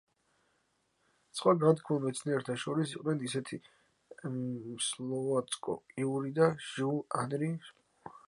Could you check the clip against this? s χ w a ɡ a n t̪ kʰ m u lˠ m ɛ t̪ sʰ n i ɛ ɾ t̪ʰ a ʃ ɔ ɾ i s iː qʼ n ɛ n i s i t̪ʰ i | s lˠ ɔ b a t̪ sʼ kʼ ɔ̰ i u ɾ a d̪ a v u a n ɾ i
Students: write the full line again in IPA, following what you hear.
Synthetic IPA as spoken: s χ w a ɡ a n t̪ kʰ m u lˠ m ɛ t̪ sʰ n i ɛ ɾ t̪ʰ a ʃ ɔ ɾ i s i qʼ n ɛ n i s ɛ t̪ʰ i | s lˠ ɔ v a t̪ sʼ kʼ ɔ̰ i u ɾ i d̪ a ʒ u a n ɾ i